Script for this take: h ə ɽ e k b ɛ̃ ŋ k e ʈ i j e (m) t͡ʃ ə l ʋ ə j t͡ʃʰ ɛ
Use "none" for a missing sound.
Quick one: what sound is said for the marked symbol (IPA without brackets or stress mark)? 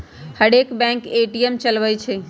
m